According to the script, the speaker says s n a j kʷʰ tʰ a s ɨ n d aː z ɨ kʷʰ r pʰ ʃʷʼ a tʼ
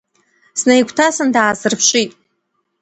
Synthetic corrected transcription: s n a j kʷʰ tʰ a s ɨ n d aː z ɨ r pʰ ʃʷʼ i tʼ

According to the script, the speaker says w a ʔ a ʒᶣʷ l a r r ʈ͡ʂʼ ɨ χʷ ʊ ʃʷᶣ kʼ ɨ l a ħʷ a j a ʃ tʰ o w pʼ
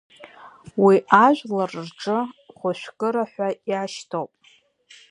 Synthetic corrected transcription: w i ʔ a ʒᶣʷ l a r r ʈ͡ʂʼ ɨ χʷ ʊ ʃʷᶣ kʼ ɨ ɾ a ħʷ a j a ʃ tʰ o w pʼ

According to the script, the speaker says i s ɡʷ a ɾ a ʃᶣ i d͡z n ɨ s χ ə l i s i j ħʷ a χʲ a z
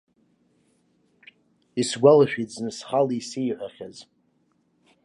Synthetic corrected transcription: i s ɡʷ a l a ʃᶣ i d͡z n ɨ s χ a l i s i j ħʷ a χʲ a z

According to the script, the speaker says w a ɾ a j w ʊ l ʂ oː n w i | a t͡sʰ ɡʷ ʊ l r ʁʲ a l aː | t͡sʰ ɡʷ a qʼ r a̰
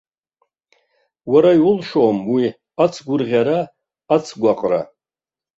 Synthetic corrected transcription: w a ɾ a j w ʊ l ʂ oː m w i | a t͡sʰ ɡʷ ʊ r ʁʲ a ɾ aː | t͡sʰ ɡʷ a qʼ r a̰

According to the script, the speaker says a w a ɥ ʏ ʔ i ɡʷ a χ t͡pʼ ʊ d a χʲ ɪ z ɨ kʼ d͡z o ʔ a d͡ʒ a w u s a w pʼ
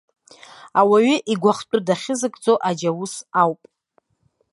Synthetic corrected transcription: a w a ɥ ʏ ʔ i ɡʷ a χ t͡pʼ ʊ d a χʲ ɪ z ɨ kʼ d͡z o ʔ a d͡ʒ a w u s a w pʼ

